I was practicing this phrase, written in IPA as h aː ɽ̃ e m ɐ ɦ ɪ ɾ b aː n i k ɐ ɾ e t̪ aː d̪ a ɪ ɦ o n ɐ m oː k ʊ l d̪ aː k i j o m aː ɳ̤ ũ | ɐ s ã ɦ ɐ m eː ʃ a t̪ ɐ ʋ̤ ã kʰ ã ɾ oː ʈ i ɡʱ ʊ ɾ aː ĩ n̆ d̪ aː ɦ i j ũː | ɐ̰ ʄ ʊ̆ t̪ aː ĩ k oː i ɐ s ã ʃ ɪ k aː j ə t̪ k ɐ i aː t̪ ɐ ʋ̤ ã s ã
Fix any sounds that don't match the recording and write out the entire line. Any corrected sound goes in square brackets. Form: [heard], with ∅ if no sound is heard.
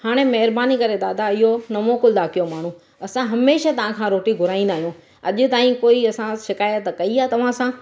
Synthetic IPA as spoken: h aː ɽ̃ e m ɐ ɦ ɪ ɾ b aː n i k ɐ ɾ e [d̪] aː d̪ a ɪ ɦ o n ɐ m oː k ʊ l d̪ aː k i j o m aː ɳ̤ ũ | ɐ s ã ɦ ɐ m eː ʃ a t̪ ɐ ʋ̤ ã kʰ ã ɾ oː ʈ i ɡʱ ʊ ɾ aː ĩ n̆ d̪ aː ɦ i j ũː | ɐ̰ ʄ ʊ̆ t̪ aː ĩ k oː i ɐ s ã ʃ ɪ k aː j ə t̪ k ɐ i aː t̪ ɐ ʋ̤ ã s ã